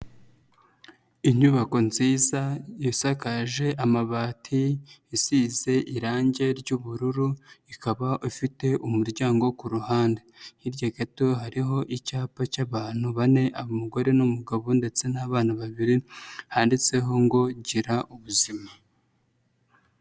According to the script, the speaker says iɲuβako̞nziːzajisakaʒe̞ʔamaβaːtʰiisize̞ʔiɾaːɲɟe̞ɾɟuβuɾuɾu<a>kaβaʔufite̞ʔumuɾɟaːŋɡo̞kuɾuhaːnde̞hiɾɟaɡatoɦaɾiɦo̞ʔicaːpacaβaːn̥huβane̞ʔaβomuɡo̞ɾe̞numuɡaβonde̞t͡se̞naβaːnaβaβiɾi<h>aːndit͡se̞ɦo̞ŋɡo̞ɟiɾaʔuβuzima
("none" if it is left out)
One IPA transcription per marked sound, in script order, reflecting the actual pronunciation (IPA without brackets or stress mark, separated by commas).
i, h